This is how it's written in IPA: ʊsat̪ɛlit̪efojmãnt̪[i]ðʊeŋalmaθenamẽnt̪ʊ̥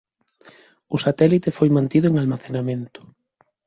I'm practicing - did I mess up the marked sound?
no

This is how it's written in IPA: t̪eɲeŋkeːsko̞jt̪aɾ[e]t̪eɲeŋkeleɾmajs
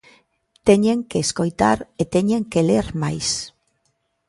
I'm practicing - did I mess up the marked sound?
no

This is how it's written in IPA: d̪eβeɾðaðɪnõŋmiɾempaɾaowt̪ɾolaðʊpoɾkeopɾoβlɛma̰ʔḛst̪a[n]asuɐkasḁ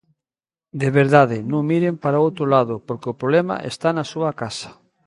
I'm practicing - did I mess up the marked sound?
no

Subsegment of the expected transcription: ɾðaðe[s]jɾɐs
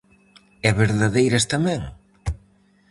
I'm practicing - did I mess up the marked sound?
yes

